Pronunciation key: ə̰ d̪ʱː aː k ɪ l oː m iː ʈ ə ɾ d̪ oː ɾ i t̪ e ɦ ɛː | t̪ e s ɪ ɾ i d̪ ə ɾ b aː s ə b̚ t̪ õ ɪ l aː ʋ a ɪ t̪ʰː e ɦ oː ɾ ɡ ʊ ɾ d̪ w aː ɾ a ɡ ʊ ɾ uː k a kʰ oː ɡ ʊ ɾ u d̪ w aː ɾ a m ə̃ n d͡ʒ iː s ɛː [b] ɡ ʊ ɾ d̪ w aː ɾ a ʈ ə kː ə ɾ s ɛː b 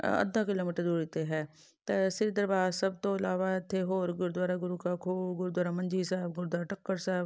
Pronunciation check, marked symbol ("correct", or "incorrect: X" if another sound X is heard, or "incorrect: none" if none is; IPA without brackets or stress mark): correct